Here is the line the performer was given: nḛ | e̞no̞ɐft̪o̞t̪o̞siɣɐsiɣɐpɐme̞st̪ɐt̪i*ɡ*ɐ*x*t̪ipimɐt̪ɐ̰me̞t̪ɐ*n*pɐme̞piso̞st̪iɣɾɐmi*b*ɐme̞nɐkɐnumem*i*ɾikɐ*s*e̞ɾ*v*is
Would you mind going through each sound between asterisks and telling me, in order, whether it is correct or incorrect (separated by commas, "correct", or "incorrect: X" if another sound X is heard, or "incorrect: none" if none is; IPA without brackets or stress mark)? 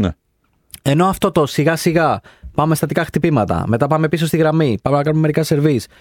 incorrect: k, correct, incorrect: none, incorrect: p, incorrect: e, correct, correct